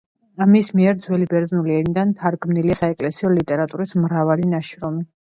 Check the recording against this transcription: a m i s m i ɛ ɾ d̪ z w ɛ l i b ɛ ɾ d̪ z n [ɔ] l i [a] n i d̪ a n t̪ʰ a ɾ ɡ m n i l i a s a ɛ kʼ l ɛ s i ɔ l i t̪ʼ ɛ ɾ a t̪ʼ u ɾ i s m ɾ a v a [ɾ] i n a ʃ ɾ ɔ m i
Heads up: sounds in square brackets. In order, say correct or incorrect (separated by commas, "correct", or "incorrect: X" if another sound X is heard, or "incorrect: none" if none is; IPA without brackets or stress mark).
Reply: incorrect: u, incorrect: ɛ, incorrect: l